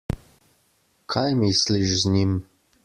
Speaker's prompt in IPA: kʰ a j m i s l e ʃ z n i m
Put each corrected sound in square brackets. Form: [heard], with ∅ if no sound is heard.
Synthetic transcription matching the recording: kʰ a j m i s l [i] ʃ z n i m